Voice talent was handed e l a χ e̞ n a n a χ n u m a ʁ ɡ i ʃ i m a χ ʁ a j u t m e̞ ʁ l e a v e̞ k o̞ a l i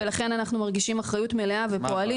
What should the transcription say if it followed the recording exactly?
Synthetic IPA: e l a χ e̞ n a n a χ n u m a ʁ ɡ i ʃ i m a χ ʁ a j u t m e̞ l e a v e̞ p o̞ a l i